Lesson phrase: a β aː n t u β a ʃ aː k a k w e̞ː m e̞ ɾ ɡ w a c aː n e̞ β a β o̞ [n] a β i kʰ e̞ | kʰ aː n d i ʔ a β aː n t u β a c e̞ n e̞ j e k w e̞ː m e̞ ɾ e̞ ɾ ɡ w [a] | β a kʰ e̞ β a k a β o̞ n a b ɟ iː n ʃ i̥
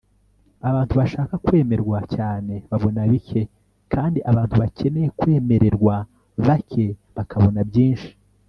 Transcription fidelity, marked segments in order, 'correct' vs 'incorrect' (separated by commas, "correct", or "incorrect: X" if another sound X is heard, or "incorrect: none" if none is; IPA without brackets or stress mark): correct, correct